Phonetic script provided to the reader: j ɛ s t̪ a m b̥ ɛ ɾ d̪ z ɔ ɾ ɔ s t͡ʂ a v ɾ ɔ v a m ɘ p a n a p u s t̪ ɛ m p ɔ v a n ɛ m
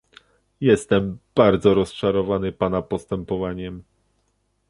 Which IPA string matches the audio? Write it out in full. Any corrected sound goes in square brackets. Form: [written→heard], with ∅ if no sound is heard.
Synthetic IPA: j ɛ s t̪ [a→ɛ] m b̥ [ɛ→a] ɾ d̪ z ɔ ɾ ɔ s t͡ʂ a [v→∅] ɾ ɔ v a [m→n] ɘ p a n a p [u→ɔ] s t̪ ɛ m p ɔ v a [n→ɲ] ɛ m